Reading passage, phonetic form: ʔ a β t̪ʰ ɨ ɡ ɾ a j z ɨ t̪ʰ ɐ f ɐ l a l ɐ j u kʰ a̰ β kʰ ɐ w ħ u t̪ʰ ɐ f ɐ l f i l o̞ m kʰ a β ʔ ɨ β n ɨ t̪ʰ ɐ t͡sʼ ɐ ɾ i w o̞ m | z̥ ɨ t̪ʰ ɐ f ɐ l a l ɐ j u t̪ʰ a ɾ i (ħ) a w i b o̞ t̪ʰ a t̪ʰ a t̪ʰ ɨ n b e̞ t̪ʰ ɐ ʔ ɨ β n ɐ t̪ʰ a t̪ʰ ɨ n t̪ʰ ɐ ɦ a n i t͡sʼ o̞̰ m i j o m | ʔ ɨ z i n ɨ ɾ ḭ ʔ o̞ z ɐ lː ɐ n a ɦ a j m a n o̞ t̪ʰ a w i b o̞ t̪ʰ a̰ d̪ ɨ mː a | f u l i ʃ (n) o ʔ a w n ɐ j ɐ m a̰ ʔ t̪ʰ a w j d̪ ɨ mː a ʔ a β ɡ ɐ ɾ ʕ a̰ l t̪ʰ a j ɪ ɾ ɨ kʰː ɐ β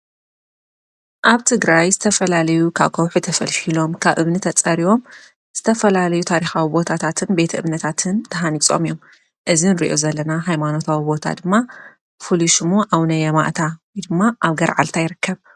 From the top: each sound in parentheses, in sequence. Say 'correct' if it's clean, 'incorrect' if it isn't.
incorrect, incorrect

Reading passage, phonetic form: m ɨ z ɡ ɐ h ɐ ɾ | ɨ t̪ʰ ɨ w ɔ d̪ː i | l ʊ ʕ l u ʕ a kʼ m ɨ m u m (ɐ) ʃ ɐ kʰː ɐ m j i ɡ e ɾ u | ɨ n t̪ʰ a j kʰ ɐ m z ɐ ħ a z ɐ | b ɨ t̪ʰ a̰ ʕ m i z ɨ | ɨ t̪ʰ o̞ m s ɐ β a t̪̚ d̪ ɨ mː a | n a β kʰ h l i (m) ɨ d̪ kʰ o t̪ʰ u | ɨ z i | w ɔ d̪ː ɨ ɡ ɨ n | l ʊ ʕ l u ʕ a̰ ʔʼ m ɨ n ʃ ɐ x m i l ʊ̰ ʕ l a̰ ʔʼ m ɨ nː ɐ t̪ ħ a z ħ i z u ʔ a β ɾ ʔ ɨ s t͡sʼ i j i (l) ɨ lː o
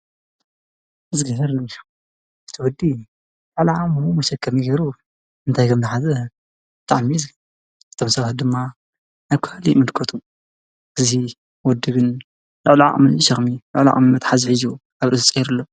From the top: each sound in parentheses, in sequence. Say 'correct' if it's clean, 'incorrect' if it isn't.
correct, correct, incorrect

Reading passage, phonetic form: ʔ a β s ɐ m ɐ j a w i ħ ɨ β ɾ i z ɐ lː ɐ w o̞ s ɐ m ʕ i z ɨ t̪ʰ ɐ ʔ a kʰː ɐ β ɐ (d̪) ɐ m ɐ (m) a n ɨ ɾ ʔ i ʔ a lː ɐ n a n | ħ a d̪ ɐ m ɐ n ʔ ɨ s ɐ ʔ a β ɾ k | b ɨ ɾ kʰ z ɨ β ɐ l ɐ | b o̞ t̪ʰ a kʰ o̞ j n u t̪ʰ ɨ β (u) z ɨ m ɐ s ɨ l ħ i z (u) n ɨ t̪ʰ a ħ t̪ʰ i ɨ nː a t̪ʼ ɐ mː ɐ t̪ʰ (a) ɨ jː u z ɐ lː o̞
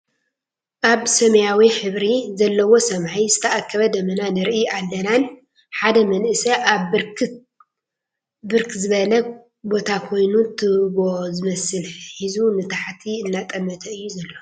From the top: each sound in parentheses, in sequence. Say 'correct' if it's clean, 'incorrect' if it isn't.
correct, incorrect, incorrect, correct, incorrect

